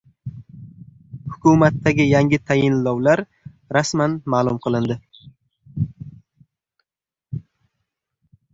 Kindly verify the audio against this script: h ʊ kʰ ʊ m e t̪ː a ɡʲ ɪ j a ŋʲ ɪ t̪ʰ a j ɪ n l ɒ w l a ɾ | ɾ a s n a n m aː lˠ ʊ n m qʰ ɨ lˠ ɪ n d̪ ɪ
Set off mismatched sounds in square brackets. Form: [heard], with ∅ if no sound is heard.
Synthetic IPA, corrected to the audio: h ʊ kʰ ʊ m [a] t̪ː a ɡʲ ɪ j a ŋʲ ɪ t̪ʰ a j ɪ n l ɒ w l a ɾ | ɾ a s [m] a n m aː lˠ ʊ [∅] m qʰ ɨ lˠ ɪ n d̪ ɪ